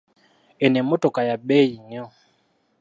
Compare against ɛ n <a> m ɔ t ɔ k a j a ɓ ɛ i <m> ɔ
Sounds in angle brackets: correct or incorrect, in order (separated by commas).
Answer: incorrect, incorrect